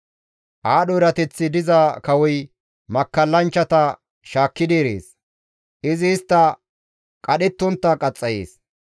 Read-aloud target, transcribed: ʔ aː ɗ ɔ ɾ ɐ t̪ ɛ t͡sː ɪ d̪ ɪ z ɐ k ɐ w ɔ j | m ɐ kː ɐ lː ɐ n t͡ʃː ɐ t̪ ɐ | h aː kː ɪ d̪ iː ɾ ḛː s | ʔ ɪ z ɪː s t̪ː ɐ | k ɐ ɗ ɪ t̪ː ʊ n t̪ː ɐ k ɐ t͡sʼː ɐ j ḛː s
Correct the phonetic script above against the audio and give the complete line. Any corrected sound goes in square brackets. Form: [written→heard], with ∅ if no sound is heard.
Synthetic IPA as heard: ʔ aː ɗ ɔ ɾ ɐ t̪ ɛ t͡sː ɪ d̪ ɪ z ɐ k ɐ w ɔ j | m ɐ kː ɐ lː ɐ n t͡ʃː ɐ t̪ ɐ | [h→ʃ] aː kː ɪ d̪ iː ɾ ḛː s | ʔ ɪ z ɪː s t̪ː ɐ | [k→kʼ] ɐ ɗ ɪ t̪ː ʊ n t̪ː ɐ [k→kʼ] ɐ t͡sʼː ɐ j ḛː s